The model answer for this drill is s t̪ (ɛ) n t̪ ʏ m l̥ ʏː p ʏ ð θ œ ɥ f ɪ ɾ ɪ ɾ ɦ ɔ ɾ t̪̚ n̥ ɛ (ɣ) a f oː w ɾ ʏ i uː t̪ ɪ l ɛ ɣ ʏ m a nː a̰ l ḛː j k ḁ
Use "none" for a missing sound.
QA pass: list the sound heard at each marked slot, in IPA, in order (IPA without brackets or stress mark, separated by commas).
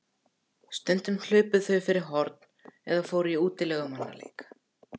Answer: ɛ, ð